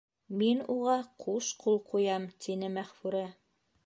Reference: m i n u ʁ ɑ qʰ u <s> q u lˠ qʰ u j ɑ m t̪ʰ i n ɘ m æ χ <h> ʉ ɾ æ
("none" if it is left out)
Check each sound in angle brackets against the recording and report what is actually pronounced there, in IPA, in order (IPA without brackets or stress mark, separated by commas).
ʃ, f